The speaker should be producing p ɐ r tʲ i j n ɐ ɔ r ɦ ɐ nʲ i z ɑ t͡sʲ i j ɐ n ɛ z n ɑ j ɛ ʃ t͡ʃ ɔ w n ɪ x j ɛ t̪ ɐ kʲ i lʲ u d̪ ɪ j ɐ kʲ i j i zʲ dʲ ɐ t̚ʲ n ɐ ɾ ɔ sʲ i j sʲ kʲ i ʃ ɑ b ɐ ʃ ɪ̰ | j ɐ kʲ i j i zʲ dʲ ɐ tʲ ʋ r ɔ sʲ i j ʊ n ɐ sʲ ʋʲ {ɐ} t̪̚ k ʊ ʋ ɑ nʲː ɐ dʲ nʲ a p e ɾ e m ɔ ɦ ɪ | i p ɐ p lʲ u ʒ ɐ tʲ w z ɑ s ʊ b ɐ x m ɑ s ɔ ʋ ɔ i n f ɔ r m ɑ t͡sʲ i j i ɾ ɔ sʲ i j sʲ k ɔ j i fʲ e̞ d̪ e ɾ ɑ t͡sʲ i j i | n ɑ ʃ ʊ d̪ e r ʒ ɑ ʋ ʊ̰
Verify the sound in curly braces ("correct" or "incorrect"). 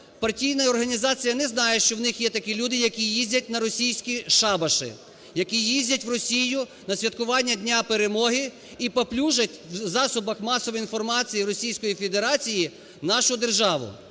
correct